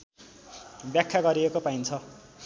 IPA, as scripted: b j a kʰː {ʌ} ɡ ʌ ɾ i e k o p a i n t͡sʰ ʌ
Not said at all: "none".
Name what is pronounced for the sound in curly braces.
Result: a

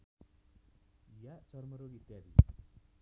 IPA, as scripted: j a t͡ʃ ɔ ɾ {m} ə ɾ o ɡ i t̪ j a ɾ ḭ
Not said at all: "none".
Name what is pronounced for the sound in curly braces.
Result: m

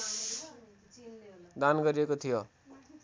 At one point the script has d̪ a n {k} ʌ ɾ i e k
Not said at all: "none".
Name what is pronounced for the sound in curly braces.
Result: ɡ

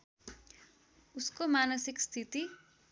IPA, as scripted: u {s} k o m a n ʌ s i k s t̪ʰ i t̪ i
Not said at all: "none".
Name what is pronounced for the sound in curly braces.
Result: s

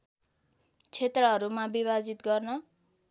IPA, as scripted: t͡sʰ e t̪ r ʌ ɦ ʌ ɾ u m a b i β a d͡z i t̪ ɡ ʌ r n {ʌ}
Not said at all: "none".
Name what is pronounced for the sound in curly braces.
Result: ʌ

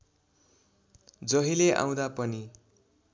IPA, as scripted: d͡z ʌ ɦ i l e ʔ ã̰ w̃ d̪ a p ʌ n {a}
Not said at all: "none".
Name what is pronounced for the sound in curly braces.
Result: i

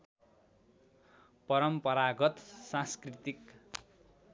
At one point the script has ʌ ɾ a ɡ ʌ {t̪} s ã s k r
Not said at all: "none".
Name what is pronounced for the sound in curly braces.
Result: t̪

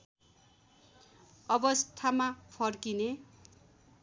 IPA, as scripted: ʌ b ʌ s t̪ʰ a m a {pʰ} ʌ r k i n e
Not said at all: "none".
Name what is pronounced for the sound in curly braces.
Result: pʰ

